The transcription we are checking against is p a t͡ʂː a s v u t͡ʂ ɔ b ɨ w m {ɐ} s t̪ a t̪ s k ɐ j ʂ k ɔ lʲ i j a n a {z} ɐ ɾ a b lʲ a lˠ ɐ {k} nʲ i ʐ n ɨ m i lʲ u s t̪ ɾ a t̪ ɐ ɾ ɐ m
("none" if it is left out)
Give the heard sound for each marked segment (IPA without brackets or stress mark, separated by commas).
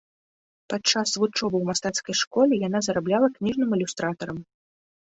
a, z, k